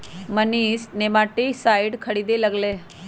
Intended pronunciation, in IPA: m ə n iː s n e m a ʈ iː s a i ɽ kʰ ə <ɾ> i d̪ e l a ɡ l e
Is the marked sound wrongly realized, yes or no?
yes